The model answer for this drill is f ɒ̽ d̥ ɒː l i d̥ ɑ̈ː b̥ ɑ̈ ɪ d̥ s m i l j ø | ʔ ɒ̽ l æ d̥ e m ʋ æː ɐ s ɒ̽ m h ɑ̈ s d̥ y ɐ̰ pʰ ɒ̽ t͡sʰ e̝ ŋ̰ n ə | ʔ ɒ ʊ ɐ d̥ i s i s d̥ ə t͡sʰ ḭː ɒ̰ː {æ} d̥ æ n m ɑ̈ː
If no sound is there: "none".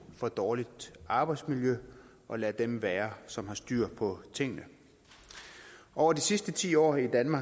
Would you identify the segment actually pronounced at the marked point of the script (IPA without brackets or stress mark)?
i